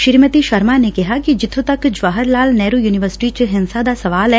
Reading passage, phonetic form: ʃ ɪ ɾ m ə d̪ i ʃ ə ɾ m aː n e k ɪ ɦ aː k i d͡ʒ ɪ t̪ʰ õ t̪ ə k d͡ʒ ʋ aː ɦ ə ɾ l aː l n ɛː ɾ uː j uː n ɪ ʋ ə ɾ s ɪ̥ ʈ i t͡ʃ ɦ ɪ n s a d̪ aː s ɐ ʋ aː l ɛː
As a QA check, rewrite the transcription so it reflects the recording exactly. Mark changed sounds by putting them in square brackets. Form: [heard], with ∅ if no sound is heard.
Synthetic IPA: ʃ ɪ ɾ m ə [t̪] i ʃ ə ɾ m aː n e k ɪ ɦ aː k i d͡ʒ ɪ t̪ʰ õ t̪ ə k d͡ʒ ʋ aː ɦ ə ɾ l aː l n ɛː ɾ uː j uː n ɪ ʋ ə ɾ s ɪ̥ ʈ i t͡ʃ ɦ ɪ n s a d̪ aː s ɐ ʋ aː l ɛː